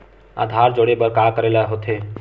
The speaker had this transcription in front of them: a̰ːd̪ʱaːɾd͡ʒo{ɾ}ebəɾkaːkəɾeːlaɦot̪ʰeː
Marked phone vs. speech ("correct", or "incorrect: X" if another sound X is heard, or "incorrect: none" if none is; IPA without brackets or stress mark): incorrect: ɽ